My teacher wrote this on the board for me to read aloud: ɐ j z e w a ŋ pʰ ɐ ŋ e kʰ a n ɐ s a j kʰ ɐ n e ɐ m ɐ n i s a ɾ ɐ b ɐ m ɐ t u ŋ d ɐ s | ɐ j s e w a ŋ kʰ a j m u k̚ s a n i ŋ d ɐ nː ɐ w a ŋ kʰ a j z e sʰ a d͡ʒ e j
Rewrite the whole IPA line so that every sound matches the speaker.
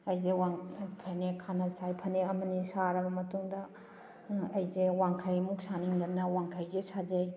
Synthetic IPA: ɐ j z e w a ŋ pʰ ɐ n e kʰ a n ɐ s a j pʰ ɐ n e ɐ m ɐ n i s a ɾ ɐ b ɐ m ɐ t u ŋ d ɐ | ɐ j z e w a ŋ kʰ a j m u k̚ s a n i ŋ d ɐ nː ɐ w a ŋ kʰ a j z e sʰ a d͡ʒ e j